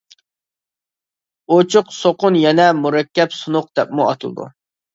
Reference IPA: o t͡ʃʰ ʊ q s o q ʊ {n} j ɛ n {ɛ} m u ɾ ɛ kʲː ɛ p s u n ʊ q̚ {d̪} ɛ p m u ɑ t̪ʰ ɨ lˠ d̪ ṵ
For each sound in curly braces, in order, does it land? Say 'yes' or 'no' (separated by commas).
yes, yes, yes